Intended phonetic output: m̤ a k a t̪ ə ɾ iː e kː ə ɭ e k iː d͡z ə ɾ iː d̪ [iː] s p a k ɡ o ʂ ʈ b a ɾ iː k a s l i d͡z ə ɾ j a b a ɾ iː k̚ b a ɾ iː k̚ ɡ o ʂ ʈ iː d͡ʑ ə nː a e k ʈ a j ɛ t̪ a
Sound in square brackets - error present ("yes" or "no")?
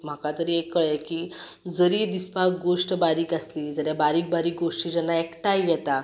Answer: yes